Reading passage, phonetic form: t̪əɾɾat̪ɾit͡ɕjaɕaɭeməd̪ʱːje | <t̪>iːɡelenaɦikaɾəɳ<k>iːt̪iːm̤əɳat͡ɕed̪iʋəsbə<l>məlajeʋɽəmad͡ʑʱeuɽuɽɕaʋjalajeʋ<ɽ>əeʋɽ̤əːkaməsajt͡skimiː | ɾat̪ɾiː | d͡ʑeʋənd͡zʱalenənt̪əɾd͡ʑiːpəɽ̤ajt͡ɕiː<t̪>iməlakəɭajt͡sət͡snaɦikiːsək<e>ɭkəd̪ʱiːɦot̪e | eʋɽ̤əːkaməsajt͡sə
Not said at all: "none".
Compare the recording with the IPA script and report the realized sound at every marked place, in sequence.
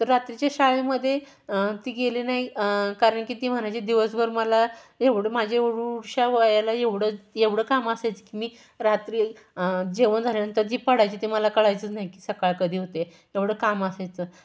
t̪, k, ɾ, ɽ, t̪, a

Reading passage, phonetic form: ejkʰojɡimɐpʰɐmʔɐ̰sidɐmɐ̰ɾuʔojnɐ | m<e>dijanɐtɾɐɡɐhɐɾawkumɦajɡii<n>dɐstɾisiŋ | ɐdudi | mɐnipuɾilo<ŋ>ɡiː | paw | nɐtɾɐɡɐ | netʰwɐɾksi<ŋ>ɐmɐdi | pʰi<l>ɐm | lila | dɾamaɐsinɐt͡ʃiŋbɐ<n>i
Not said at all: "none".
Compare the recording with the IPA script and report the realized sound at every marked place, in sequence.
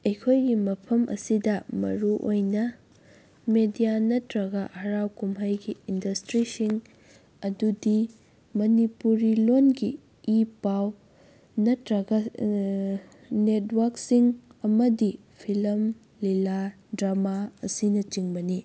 e, n, n, ŋ, l, n

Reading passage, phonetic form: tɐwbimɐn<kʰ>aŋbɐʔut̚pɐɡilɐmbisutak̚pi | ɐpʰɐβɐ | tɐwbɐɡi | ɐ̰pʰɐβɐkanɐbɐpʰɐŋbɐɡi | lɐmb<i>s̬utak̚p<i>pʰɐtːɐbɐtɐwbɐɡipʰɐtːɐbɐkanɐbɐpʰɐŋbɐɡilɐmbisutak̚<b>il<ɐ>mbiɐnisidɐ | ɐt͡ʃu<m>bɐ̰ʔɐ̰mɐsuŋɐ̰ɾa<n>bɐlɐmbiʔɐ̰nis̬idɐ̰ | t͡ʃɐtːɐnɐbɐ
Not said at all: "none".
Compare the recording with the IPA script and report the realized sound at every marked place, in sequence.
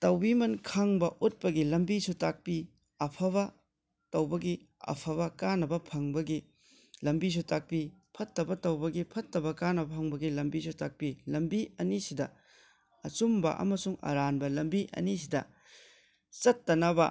kʰ, i, i, p, ɐ, m, n

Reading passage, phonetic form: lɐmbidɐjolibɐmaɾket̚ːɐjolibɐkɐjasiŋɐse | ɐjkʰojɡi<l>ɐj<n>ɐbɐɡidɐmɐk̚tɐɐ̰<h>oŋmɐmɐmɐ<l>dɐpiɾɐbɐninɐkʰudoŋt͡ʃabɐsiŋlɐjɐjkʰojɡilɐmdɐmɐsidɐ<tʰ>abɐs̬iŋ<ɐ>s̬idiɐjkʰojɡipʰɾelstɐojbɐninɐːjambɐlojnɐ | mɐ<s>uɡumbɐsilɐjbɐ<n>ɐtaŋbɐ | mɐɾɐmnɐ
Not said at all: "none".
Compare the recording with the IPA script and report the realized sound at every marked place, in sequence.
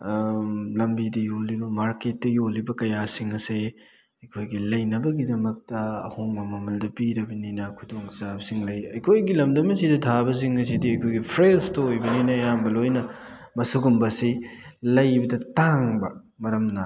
l, n, h, l, tʰ, ɐ, s, d

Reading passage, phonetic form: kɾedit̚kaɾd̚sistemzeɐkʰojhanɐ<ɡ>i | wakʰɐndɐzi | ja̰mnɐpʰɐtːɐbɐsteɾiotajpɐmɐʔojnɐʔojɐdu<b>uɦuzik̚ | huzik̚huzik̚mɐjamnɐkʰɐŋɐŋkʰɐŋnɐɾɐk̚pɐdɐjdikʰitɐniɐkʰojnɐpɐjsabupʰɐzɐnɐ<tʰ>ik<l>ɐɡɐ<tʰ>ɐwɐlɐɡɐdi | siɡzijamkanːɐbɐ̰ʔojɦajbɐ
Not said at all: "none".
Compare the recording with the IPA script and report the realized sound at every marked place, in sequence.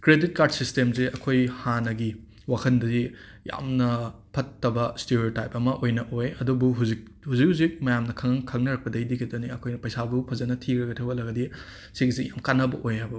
ɡ, b, tʰ, ɾ, tʰ

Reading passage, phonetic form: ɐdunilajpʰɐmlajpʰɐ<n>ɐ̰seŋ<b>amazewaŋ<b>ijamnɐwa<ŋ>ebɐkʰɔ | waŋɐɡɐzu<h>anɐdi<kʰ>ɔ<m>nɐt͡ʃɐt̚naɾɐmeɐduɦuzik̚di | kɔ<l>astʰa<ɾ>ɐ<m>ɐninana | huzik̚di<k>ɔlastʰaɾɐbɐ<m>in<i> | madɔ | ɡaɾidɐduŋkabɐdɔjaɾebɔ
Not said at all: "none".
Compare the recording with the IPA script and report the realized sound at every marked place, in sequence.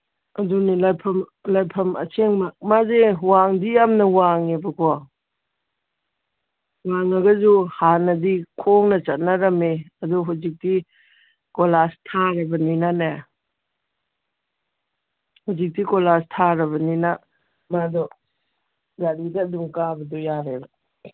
m, m, d, ŋ, h, kʰ, ŋ, l, ɾ, b, k, n, a

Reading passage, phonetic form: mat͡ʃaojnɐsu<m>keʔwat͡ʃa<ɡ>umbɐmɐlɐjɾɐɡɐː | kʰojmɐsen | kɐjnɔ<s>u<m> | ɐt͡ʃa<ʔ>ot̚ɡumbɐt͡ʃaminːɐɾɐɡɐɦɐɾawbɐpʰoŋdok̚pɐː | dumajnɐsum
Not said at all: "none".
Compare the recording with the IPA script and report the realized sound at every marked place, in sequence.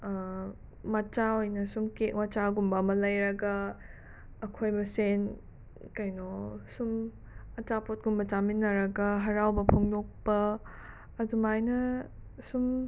m, ɡ, s, m, p

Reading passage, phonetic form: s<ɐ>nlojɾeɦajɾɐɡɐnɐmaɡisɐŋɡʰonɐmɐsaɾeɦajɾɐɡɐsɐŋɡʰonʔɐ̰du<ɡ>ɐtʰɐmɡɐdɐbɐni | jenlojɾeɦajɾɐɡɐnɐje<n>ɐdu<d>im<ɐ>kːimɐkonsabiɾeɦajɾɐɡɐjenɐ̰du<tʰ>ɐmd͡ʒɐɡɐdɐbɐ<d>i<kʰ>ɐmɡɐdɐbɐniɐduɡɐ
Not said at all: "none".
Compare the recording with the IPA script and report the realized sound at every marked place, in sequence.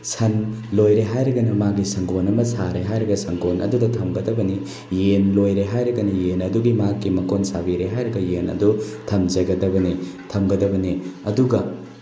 ɐ, d, n, ɡ, a, tʰ, n, tʰ

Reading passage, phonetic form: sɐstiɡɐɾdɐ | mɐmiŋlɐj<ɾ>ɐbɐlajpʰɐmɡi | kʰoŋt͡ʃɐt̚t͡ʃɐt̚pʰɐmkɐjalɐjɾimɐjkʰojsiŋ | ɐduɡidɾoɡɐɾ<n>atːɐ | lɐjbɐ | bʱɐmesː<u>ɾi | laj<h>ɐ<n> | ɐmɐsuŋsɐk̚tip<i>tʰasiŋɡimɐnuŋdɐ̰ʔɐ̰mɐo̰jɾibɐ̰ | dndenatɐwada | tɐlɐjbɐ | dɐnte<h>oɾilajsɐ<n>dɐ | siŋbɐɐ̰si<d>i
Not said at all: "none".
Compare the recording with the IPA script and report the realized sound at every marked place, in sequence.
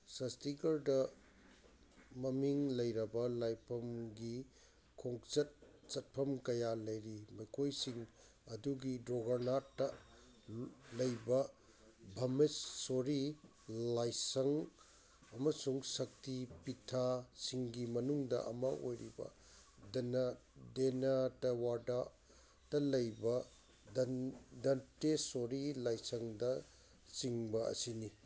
ɾ, n, o, s, ŋ, i, s, ŋ, n

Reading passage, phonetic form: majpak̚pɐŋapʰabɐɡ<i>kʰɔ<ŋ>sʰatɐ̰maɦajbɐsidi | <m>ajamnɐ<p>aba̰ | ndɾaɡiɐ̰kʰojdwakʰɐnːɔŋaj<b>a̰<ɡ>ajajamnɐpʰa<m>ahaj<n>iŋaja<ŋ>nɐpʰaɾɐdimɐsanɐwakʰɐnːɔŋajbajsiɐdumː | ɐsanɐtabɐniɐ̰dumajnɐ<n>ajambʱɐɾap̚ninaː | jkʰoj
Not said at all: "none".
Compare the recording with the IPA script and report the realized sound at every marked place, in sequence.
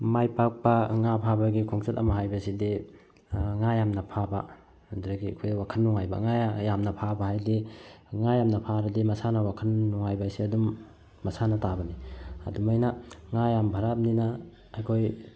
i, ŋ, ŋ, pʰ, b, ŋ, b, d, m, ŋ

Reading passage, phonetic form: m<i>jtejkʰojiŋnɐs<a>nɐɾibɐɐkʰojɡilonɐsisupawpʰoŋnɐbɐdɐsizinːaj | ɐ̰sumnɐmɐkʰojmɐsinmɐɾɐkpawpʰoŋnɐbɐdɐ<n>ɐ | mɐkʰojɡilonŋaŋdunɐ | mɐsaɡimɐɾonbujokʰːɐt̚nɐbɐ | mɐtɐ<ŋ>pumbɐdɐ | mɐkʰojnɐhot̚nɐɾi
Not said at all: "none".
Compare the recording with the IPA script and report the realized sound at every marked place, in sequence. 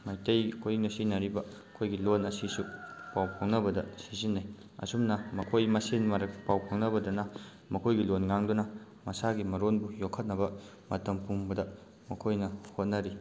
a, i, n, m

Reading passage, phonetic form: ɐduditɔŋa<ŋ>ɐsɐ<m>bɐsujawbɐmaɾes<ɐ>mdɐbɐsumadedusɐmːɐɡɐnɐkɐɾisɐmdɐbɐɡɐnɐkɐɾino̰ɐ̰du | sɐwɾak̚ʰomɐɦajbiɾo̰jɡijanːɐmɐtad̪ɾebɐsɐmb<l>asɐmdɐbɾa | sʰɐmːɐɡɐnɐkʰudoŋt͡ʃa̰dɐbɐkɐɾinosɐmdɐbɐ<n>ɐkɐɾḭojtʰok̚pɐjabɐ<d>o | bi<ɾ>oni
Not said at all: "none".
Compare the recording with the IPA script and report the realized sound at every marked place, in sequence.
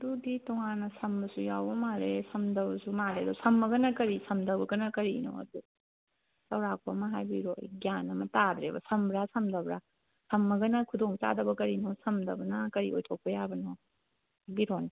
n, m, ɐ, ɾ, n, n, ɾ

